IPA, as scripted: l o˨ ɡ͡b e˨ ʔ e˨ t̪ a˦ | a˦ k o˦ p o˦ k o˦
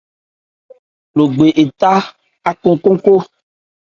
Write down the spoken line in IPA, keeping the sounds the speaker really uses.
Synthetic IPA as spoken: l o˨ ɡ͡b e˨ ʔ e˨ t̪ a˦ | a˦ k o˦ k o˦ k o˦